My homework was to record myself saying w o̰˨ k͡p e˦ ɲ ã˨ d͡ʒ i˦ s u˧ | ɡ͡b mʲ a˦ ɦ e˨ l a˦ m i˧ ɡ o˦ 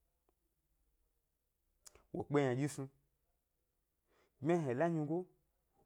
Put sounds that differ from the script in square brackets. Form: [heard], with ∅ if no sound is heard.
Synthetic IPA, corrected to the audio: w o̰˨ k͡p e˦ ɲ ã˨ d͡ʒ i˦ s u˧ | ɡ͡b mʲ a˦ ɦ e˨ l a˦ [ɲ] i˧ ɡ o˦